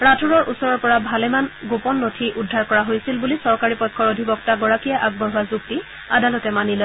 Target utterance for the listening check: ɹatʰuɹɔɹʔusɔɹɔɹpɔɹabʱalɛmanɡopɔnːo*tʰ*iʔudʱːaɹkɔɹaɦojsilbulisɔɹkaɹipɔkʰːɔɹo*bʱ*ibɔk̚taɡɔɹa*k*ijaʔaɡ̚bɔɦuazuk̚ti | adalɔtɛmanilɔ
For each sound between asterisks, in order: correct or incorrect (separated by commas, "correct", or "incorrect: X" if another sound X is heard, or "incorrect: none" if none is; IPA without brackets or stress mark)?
correct, incorrect: dʱ, correct